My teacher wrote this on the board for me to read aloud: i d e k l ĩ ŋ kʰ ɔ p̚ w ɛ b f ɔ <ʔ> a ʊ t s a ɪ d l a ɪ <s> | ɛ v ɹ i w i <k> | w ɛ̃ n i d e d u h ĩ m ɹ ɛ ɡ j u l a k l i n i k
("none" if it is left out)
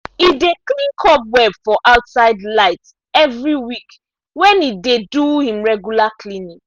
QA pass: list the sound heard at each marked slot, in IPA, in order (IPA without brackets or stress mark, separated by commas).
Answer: ʔ, t, k